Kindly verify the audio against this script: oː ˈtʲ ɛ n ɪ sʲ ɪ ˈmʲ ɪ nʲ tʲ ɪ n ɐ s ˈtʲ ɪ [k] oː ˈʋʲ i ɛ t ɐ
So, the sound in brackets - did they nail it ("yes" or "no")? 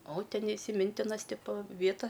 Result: no